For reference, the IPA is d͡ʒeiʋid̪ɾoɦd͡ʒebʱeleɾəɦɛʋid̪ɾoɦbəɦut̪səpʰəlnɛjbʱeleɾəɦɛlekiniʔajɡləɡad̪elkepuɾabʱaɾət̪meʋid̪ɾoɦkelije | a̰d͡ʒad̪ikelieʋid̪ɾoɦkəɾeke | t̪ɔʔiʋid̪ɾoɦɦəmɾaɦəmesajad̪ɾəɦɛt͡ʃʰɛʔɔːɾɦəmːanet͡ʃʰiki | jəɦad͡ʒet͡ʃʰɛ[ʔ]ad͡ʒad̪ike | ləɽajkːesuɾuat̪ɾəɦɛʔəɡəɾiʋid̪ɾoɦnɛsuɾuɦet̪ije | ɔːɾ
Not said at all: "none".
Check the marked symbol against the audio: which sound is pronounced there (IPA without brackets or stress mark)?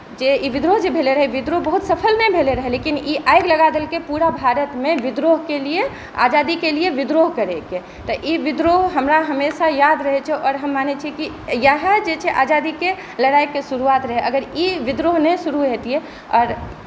ʔ